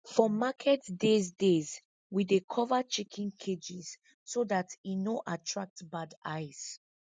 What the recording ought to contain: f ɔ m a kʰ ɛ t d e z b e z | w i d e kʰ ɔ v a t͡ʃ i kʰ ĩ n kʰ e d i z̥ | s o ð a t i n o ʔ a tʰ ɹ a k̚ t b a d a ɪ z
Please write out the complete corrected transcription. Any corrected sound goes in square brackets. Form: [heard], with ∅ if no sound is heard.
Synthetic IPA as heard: f ɔ m a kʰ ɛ t d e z [d] e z | w i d e kʰ ɔ v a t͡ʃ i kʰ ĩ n kʰ e [d͡ʒ] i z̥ | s o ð a t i n o ʔ a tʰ ɹ a k̚ t b a d a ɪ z